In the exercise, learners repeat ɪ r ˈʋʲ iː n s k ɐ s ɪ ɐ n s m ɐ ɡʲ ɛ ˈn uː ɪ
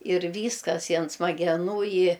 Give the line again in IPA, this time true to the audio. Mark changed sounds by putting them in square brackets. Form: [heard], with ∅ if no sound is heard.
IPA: ɪ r ˈʋʲ iː [∅] s k ɐ s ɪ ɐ n s m ɐ ɡʲ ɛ ˈn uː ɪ